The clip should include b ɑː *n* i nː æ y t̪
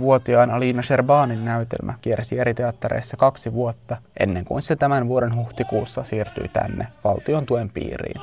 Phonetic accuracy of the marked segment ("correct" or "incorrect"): correct